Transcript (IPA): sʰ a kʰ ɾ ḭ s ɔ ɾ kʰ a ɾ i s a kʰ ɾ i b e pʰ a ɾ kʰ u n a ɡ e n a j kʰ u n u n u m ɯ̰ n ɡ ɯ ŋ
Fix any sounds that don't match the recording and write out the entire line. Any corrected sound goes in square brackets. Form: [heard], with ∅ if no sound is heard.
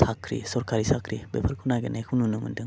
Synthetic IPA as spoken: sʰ a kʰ ɾ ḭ s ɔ ɾ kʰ a ɾ i s a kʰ ɾ i b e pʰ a ɾ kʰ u n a ɡ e n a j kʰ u n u n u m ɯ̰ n [d] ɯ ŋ